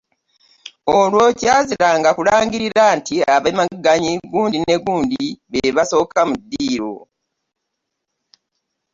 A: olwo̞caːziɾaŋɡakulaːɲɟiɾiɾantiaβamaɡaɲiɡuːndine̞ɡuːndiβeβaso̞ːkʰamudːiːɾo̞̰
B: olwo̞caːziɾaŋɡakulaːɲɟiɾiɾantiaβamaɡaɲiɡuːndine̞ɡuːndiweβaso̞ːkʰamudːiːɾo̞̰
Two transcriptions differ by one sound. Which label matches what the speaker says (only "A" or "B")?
A